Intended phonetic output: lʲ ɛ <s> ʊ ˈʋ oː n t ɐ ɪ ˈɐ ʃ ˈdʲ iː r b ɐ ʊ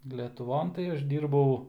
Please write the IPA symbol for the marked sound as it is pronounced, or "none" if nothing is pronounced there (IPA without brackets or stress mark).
t